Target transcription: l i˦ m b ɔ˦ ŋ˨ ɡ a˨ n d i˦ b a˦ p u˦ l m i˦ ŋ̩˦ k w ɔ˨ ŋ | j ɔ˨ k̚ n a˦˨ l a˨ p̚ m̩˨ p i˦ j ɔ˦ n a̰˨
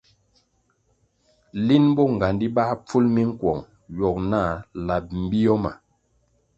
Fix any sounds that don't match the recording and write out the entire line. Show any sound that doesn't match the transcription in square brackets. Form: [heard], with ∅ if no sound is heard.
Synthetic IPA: l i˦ [n] b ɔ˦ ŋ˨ ɡ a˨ n d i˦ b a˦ [p͡f] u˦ l m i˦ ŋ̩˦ k w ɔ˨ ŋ | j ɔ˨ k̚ n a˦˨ l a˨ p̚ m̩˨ [b] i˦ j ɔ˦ [m] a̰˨